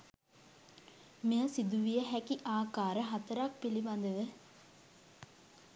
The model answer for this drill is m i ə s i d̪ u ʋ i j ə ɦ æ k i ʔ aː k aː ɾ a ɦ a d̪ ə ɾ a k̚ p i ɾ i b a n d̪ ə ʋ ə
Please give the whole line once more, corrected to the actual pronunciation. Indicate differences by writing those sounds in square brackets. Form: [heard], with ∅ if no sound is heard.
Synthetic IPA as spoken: m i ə s i d̪ u ʋ i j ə ɦ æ k i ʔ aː k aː ɾ [ə] ɦ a [t̪] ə ɾ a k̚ p i [l] i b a n d̪ ə ʋ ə